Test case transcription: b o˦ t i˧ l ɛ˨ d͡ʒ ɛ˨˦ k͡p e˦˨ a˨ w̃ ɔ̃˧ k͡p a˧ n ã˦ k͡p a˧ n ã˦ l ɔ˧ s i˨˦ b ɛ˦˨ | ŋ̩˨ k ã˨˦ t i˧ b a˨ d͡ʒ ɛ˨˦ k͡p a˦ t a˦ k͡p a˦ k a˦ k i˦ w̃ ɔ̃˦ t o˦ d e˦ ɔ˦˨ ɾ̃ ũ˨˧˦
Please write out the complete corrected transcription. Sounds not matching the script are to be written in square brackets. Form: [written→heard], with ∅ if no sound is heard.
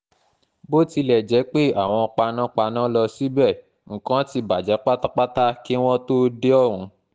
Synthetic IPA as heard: b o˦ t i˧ l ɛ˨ d͡ʒ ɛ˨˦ k͡p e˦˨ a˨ w̃ ɔ̃˧ k͡p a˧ n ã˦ k͡p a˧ n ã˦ l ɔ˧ s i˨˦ b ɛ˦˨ | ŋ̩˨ k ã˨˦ t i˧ b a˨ d͡ʒ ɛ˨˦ k͡p a˦ t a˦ k͡p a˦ [k→t] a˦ k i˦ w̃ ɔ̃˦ t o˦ d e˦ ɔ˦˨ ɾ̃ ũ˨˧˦